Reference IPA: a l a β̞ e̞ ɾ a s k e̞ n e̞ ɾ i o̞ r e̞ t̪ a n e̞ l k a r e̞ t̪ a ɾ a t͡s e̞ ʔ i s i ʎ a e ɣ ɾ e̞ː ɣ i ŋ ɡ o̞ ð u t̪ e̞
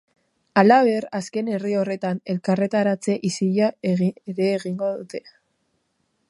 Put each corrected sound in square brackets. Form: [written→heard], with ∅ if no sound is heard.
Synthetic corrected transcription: a l a β̞ e̞ ɾ a s k e̞ n e̞ [ɾ→r] i o̞ r e̞ t̪ a n e̞ l k a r e̞ t̪ a ɾ a t͡s e̞ ʔ i s i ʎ a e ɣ ɾ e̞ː ɣ i ŋ ɡ o̞ ð u t̪ e̞